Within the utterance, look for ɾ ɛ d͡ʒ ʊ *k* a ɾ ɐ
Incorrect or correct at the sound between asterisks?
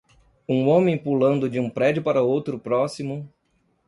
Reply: incorrect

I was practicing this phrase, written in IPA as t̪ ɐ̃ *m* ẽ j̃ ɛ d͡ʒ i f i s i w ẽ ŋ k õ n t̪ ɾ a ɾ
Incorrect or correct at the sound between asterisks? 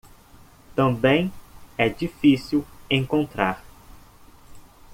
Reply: incorrect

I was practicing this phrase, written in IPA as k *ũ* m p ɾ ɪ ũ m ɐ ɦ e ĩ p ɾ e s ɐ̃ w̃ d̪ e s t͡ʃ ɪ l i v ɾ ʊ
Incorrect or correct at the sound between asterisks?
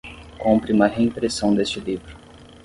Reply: incorrect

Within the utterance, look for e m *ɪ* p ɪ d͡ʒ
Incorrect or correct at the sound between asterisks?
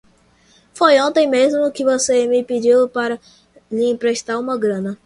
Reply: correct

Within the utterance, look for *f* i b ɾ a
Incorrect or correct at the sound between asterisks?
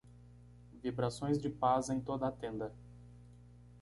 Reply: incorrect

